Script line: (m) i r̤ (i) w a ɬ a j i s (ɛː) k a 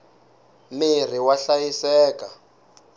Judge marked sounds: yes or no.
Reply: yes, yes, yes

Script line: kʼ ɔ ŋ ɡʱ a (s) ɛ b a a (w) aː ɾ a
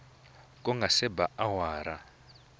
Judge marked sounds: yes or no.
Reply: yes, yes

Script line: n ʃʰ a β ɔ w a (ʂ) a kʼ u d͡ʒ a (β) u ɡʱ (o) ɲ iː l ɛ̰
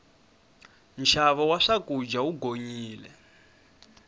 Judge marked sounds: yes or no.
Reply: yes, no, yes

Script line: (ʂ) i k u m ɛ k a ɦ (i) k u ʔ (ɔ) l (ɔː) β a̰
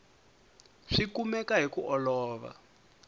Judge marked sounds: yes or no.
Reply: yes, yes, yes, yes

